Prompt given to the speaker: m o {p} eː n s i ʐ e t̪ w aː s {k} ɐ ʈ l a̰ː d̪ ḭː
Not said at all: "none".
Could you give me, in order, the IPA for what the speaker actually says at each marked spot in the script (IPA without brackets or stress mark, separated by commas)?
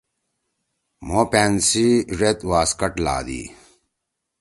p, k